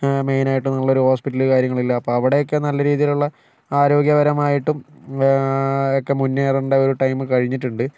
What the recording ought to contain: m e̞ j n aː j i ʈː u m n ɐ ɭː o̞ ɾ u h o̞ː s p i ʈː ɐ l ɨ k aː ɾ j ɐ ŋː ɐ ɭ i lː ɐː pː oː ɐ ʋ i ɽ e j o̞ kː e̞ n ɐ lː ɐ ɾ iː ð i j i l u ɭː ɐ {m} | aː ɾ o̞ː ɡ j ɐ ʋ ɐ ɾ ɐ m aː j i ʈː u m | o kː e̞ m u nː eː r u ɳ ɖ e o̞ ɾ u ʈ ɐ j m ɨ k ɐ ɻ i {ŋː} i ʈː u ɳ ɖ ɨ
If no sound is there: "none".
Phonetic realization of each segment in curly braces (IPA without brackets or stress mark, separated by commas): none, ɲː